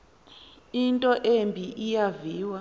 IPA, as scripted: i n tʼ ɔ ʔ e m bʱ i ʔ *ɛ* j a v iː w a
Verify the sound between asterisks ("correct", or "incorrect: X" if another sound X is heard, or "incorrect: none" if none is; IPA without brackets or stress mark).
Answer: incorrect: i